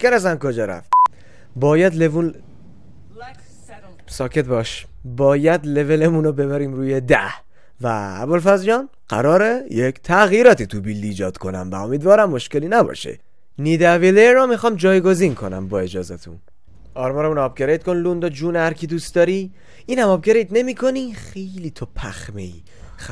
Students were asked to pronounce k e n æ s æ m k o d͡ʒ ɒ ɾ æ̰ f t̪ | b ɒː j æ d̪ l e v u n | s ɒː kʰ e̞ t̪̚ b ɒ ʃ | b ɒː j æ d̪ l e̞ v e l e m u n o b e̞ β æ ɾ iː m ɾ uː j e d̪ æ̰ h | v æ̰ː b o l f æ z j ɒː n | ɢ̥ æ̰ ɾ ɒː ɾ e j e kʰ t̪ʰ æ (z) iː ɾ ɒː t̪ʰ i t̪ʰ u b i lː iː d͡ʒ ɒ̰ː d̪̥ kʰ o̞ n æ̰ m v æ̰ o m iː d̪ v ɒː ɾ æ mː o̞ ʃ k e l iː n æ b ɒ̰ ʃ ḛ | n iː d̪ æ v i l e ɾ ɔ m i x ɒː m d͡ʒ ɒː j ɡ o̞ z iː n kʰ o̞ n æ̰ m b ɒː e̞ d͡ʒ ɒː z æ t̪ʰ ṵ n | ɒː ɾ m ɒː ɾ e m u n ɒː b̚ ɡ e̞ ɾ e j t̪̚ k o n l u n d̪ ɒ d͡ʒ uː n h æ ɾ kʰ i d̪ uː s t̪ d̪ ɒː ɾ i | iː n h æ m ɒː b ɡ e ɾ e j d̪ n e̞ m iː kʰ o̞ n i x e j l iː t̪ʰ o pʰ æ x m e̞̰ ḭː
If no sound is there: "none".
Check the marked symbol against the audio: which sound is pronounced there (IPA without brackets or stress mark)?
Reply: ɣ